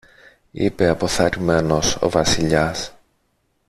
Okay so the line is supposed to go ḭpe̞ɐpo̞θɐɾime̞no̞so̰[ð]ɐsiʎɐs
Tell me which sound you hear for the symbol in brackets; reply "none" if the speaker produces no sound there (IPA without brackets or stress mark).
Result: v